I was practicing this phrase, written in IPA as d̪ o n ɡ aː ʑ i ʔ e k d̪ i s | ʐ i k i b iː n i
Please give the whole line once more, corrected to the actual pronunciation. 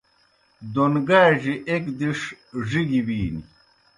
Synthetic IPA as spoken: d̪ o n ɡ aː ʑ i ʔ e k d̪ i ʂ | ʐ i ɡ i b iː n i

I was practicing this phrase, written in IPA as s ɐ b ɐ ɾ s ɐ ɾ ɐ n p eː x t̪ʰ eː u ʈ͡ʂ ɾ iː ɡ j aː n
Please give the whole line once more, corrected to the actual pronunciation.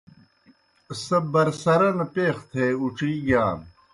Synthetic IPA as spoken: s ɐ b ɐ ɾ s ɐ ɾ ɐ n p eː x t̪ʰ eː u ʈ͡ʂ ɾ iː ɡ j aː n

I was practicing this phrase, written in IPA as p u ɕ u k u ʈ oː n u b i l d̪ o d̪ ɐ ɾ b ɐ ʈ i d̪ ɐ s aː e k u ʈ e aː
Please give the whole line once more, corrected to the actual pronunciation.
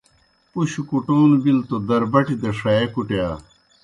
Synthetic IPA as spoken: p u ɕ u k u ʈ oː n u b i l t̪ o d̪ ɐ ɾ b ɐ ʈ i d̪ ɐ ʂ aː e k u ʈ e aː

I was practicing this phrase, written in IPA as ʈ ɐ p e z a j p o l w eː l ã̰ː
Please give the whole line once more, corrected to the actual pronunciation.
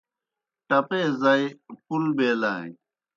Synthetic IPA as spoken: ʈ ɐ p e z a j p u l b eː l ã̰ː

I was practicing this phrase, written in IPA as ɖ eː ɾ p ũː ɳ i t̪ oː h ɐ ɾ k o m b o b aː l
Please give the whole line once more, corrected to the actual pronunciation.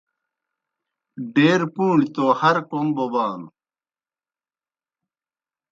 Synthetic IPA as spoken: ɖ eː ɾ p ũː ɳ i t̪ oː h ɐ ɾ k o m b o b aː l

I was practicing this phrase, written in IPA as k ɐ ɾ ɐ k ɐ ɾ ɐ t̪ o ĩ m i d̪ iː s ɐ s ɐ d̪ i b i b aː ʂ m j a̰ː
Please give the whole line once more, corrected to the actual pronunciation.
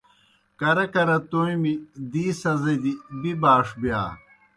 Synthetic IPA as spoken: k ɐ ɾ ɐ k ɐ ɾ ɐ t̪ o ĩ m i d̪ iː s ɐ z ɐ d̪ i b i b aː ʂ b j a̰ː

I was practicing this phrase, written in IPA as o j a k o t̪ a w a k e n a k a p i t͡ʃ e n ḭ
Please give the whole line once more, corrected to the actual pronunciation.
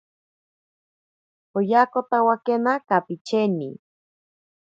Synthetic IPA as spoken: o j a k o t̪ a w a k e n a k a p i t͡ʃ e n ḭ

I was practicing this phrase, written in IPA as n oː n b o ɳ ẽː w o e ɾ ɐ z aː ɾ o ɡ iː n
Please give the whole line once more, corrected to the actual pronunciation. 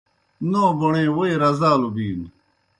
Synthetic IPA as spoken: n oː b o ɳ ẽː w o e ɾ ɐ z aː l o b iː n

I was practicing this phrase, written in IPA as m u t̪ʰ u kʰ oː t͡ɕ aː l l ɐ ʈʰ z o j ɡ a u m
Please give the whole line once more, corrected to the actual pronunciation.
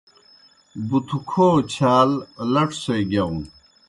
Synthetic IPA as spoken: b u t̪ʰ u kʰ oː t͡ɕʰ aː l l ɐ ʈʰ s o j ɡ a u n

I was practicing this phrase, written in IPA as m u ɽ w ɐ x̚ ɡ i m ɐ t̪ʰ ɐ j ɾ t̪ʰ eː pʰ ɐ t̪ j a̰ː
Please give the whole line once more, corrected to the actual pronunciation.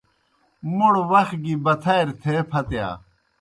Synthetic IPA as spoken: m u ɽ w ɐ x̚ ɡ i b ɐ t̪ʰ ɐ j ɾ t̪ʰ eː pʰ ɐ t̪ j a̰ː

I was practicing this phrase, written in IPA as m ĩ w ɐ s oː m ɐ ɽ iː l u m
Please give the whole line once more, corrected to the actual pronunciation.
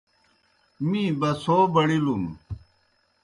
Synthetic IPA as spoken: m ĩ b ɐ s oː b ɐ ɽ i l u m

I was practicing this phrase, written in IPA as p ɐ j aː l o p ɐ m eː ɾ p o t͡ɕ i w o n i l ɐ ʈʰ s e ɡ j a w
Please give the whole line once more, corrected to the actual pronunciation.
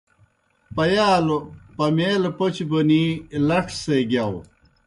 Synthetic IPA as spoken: p ɐ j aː l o p ɐ m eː l p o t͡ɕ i b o n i l ɐ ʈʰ s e ɡ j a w

